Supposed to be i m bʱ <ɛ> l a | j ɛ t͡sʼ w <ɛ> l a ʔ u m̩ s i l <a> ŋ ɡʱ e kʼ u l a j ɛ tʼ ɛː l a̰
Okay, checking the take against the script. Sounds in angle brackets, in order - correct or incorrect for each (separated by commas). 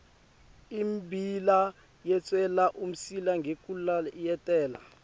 incorrect, correct, correct